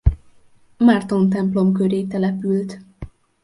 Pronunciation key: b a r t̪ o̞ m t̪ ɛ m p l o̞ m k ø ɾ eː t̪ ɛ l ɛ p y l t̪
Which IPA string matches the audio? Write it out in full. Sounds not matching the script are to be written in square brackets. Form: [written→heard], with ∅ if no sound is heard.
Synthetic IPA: [b→m] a r t̪ o̞ [m→n] t̪ ɛ m p l o̞ m k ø ɾ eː t̪ ɛ l ɛ p y l t̪